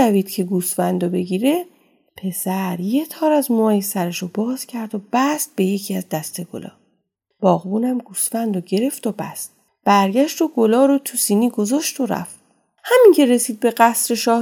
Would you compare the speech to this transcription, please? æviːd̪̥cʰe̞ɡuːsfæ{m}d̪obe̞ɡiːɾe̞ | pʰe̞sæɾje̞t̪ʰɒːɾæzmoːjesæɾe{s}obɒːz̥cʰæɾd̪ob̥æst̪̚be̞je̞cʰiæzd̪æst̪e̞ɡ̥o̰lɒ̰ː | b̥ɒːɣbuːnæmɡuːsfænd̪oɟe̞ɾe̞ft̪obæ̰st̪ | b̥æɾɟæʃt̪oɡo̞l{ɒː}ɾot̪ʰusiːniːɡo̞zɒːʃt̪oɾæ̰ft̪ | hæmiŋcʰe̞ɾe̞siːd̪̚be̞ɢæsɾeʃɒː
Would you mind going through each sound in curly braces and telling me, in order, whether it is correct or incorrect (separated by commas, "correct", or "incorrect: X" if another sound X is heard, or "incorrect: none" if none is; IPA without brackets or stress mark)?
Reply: incorrect: n, incorrect: ʃ, correct